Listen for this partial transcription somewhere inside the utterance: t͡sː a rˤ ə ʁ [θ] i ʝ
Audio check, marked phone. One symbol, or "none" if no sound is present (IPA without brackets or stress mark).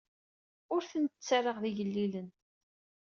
ð